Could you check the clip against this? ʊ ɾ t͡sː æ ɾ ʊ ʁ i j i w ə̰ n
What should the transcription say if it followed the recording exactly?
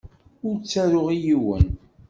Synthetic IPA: ʊ ɾ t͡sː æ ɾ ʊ ʁ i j i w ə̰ n